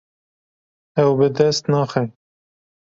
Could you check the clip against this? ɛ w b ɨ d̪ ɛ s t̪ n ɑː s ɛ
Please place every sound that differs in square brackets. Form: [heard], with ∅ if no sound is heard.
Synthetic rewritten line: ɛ w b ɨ d̪ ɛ s t̪ n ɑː [x] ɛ